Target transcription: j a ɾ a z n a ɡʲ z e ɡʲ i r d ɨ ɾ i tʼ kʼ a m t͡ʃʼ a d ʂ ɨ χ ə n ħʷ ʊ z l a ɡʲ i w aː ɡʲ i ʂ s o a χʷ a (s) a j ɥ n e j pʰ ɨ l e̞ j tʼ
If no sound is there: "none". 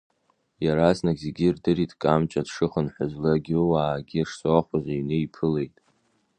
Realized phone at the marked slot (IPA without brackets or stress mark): z